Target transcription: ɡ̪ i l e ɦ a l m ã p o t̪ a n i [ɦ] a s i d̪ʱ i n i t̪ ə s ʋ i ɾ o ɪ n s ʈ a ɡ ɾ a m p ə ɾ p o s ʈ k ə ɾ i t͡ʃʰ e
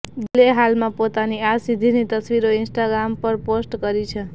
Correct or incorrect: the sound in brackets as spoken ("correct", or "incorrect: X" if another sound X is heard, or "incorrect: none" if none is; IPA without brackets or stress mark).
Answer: incorrect: none